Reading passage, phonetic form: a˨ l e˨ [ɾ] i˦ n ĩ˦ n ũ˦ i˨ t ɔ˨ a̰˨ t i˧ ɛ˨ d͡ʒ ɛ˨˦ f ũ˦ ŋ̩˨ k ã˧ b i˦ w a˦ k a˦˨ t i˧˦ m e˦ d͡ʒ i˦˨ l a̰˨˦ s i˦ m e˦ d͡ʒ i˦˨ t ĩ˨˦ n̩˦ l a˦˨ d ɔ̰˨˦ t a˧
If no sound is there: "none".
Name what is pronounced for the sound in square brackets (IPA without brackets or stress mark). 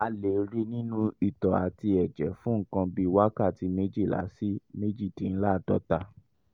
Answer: ɾ